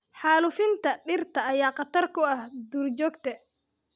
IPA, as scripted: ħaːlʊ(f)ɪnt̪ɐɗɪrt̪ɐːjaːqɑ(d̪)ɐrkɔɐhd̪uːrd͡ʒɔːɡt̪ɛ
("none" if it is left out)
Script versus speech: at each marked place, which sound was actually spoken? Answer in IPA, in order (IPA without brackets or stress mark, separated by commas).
f, t̪